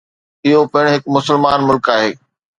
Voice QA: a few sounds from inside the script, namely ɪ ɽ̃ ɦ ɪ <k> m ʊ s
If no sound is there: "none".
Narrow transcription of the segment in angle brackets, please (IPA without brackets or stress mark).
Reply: k